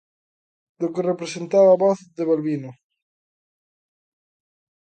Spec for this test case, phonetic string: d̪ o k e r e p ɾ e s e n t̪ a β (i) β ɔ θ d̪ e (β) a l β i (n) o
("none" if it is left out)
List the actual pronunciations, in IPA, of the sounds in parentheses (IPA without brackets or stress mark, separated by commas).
a, β, n